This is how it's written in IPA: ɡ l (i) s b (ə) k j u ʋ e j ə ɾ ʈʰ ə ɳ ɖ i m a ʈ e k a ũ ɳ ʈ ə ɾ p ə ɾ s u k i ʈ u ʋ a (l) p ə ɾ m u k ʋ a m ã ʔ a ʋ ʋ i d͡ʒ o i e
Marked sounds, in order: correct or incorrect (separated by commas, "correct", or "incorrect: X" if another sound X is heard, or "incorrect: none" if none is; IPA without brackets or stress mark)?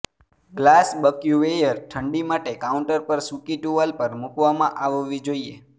incorrect: a, correct, correct